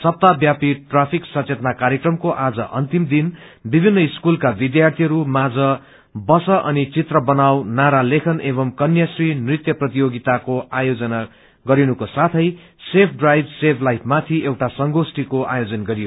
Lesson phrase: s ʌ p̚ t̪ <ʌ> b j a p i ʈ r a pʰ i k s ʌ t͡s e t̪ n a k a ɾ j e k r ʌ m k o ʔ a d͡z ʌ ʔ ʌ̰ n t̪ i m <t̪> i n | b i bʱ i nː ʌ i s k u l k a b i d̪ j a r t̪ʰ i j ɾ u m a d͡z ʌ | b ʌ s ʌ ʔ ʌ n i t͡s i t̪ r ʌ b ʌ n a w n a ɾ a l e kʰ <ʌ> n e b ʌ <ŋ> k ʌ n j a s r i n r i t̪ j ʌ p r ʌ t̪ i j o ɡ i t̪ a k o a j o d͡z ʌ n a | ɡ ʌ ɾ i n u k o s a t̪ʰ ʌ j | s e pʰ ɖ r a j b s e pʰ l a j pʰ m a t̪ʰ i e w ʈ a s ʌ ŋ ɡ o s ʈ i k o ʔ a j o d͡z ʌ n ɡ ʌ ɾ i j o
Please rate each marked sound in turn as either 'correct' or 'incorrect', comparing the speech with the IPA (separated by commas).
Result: incorrect, incorrect, correct, incorrect